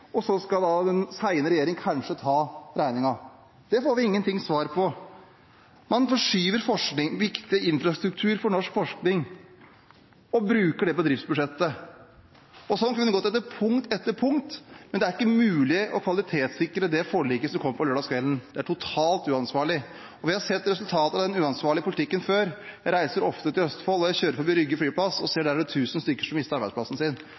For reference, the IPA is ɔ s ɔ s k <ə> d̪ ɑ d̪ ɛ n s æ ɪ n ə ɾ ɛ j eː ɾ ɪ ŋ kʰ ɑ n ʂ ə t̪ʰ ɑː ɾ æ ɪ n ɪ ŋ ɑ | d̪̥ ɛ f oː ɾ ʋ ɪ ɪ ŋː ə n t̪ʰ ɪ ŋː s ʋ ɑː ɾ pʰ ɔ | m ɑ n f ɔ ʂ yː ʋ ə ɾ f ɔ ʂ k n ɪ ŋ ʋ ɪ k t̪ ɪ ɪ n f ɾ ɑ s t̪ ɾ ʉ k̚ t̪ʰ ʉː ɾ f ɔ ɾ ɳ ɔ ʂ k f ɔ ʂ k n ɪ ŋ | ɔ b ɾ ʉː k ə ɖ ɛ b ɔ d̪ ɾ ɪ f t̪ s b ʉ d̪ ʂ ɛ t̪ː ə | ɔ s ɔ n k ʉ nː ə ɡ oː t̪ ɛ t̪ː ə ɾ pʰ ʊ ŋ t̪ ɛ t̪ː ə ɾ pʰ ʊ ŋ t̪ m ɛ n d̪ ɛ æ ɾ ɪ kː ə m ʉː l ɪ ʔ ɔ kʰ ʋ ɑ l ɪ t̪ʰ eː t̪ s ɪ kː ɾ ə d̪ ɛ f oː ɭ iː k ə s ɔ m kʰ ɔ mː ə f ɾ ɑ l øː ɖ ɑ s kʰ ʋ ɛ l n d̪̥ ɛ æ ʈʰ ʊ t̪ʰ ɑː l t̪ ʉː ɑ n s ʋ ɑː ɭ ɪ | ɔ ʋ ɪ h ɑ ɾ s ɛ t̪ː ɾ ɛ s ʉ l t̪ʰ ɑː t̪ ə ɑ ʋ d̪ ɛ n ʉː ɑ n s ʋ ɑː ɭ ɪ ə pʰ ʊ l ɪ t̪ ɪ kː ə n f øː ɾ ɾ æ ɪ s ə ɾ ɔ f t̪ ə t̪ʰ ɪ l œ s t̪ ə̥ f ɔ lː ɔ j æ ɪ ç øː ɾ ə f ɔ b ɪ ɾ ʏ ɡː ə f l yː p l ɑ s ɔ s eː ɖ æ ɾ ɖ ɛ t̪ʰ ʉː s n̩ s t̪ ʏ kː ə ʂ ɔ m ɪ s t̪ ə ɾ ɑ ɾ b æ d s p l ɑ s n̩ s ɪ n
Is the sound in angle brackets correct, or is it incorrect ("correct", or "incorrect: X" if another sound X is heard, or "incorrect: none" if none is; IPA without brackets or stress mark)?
incorrect: ɑ